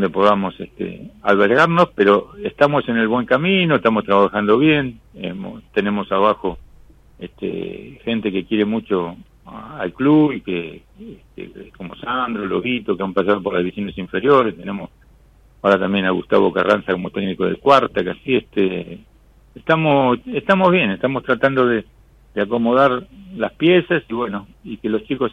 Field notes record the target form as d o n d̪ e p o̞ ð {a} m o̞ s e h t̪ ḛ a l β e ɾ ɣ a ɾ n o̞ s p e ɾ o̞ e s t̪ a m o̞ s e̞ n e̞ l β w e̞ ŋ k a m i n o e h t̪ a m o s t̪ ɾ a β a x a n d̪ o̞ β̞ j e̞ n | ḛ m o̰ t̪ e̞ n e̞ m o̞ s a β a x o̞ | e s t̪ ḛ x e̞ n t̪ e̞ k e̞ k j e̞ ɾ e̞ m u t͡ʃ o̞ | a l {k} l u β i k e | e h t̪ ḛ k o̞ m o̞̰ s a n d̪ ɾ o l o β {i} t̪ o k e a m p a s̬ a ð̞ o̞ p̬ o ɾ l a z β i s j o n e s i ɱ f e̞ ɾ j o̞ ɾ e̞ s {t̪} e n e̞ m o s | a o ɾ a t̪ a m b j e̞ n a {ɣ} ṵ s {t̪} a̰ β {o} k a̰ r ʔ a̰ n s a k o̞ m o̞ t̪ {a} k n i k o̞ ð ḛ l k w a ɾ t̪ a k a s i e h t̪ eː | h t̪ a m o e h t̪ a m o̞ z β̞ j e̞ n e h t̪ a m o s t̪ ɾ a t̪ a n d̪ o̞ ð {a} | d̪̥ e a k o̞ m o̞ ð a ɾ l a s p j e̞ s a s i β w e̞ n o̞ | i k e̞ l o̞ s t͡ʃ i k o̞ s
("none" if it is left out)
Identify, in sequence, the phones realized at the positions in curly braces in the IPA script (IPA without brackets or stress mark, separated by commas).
a, k, i, t̪, ɣ, t̪, o, e, e